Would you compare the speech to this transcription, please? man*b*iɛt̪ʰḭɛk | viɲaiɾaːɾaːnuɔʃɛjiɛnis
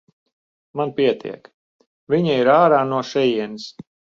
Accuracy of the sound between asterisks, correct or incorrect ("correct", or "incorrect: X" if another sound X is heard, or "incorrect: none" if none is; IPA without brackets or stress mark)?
incorrect: p